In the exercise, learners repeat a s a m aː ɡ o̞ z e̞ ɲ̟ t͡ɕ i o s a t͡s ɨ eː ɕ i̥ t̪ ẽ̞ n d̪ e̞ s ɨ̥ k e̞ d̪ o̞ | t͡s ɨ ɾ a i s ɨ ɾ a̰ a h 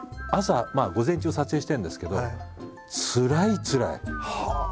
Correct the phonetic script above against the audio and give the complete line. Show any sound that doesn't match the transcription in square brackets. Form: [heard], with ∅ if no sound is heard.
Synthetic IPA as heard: a s a m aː ɡ o̞ z [ẽ̞] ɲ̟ t͡ɕ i o s a t͡s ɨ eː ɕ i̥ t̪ ẽ̞ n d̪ e̞ s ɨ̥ k e̞ d̪ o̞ | t͡s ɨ ɾ a i [t͡s] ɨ ɾ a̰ [i] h